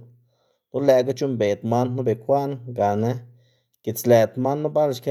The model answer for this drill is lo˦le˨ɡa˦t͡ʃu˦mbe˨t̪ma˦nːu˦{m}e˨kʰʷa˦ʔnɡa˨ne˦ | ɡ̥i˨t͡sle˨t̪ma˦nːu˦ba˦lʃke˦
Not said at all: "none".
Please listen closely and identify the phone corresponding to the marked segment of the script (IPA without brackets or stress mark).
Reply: b